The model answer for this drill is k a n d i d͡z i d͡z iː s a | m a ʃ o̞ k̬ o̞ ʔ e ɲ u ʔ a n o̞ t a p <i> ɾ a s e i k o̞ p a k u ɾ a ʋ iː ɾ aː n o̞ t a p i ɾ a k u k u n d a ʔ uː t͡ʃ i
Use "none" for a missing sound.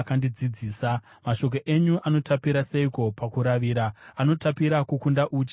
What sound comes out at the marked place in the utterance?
i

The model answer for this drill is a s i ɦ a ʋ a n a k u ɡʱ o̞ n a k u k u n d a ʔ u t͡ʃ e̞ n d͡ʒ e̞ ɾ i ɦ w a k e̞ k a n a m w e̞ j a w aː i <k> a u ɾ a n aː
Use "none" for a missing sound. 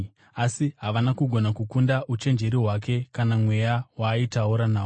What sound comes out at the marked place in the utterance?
t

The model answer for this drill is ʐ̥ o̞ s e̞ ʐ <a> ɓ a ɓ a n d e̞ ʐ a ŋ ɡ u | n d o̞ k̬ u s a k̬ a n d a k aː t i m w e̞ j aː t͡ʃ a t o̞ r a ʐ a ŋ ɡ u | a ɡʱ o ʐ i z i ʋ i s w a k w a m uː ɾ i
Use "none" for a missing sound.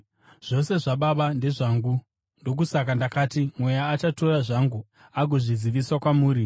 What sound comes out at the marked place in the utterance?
a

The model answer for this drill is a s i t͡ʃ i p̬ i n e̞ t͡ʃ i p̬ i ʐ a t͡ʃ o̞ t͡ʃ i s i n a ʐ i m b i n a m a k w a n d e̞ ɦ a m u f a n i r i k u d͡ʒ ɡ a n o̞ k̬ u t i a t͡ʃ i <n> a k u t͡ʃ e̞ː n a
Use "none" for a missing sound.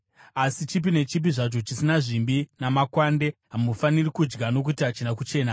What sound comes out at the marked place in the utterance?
n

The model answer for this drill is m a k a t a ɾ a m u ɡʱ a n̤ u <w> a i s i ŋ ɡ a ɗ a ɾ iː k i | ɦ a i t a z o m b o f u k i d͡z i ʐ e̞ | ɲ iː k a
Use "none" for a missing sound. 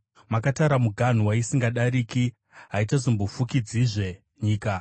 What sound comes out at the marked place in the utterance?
w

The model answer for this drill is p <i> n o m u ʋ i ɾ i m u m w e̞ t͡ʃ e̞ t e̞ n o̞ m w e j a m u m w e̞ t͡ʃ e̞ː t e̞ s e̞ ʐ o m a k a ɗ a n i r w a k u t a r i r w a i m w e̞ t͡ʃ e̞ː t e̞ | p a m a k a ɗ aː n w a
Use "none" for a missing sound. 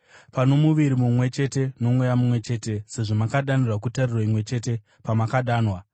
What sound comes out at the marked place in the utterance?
a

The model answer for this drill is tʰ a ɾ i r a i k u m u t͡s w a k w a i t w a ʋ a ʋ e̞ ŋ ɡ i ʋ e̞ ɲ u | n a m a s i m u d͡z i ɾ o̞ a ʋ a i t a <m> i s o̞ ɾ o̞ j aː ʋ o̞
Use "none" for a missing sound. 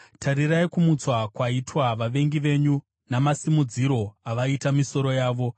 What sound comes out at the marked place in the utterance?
m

